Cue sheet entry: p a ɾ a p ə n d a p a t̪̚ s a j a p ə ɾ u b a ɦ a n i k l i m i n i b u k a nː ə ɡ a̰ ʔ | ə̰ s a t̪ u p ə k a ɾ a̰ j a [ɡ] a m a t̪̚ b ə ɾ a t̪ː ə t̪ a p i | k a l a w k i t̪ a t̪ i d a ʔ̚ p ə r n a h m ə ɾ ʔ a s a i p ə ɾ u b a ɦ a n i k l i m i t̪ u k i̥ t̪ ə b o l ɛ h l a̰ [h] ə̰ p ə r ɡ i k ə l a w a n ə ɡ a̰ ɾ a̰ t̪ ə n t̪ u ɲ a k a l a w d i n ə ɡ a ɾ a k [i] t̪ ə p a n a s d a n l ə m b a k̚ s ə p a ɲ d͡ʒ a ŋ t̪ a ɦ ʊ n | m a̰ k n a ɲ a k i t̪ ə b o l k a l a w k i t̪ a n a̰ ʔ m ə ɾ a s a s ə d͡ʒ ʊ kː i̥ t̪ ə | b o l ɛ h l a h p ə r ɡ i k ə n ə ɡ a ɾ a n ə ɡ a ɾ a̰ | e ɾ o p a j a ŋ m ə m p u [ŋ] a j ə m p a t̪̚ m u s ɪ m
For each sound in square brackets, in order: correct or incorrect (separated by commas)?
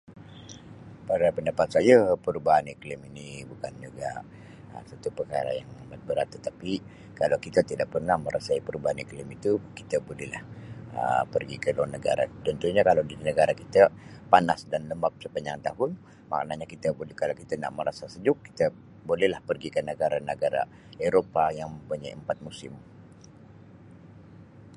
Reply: incorrect, correct, correct, incorrect